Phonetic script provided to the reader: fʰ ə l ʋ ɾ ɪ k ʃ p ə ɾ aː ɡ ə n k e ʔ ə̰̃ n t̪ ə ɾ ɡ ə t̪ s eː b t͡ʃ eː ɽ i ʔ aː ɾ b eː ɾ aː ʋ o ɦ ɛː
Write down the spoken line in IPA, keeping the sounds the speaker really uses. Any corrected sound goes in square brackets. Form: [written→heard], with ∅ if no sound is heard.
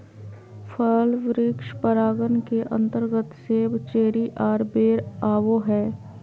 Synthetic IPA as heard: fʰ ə l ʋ ɾ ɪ k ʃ p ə ɾ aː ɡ ə n k e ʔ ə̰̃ n t̪ ə ɾ ɡ ə t̪ s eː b t͡ʃ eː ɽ i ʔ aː ɾ b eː ɾ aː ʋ o ɦ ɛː